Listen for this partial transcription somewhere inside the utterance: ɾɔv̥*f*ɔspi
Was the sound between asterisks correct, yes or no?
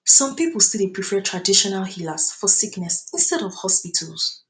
no